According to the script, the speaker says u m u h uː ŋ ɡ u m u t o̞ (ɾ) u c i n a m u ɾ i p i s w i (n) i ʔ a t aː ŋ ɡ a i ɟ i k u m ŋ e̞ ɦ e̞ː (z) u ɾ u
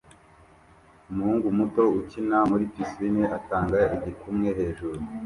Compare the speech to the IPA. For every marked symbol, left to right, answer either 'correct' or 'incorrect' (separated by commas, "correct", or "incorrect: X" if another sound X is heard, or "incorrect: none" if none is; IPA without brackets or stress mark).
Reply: incorrect: none, correct, incorrect: ʒ